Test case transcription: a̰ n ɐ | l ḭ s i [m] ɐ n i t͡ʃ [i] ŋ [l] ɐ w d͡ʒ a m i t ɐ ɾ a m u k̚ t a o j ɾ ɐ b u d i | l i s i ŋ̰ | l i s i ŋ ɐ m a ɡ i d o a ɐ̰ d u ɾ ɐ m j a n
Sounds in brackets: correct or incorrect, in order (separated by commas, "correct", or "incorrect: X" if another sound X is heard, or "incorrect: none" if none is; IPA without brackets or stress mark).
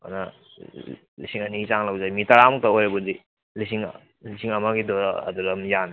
incorrect: ŋ, incorrect: a, correct